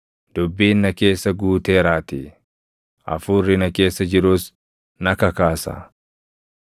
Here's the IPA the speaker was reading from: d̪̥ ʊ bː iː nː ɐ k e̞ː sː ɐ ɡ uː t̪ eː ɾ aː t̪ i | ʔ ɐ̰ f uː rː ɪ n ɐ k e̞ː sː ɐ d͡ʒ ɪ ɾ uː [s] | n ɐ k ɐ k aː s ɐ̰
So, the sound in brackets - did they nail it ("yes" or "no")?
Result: yes